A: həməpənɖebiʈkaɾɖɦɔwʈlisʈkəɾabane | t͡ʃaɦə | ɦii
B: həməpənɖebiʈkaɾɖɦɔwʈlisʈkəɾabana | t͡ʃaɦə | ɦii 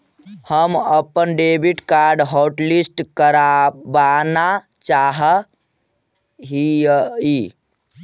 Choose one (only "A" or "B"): B